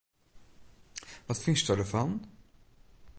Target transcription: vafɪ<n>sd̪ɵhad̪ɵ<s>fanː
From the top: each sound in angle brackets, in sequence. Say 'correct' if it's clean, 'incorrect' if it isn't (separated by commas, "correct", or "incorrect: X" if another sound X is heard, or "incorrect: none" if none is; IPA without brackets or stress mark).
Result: correct, incorrect: none